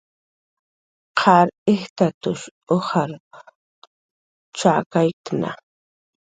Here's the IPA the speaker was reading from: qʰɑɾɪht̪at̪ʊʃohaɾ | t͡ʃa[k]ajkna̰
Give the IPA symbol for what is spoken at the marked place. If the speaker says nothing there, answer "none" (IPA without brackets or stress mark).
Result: k